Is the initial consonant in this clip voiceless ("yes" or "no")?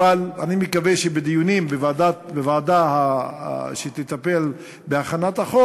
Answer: no